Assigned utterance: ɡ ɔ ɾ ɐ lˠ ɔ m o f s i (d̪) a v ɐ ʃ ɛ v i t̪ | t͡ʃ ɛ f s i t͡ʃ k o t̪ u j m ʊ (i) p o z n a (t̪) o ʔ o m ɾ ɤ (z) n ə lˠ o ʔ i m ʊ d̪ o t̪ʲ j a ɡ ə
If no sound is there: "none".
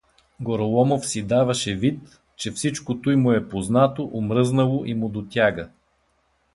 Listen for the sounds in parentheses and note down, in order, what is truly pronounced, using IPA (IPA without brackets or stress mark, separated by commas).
d̪, ɛ, t̪, z